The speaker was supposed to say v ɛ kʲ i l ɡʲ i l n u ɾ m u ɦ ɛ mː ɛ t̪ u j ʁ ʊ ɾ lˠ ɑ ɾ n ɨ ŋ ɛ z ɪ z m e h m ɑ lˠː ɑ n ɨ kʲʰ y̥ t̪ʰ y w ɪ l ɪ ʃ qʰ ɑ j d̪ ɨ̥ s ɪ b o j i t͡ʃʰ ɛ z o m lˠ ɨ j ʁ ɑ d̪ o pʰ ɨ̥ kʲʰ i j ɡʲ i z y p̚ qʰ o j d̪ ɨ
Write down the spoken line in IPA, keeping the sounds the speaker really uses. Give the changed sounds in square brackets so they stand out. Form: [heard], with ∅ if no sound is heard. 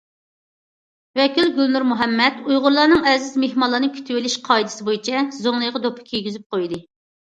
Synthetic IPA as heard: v ɛ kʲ i l ɡʲ [y] l n u ɾ m u ɦ ɛ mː ɛ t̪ u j ʁ ʊ ɾ lˠ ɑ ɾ n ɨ ŋ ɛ z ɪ z m e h m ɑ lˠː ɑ n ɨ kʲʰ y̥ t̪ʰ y w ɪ l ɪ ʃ qʰ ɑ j d̪ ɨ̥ s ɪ b o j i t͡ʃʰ ɛ z o [ŋ] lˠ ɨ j ʁ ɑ d̪ o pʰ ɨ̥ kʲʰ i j ɡʲ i z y p̚ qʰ o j d̪ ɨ